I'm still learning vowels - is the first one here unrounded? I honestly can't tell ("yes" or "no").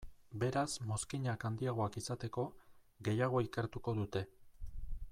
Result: yes